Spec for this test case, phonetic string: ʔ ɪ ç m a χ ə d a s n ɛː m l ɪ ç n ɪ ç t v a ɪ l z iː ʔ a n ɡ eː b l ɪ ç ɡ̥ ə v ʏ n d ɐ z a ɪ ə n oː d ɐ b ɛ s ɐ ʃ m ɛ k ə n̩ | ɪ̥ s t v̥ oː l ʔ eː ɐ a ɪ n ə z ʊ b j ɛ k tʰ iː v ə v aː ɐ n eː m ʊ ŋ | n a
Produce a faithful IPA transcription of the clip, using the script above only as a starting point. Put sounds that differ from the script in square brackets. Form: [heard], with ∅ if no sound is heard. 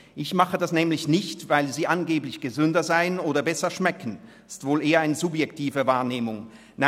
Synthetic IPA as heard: ʔ ɪ ç m a χ ə d a s n ɛː m l ɪ ç n ɪ ç t v a ɪ l z iː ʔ a n ɡ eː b l ɪ ç ɡ̥ ə [z] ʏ n d ɐ z a ɪ ə n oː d ɐ b ɛ s ɐ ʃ m ɛ k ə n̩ | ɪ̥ s t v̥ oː l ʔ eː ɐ a ɪ n ə z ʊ b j ɛ k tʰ iː v ə v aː ɐ n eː m ʊ ŋ | n a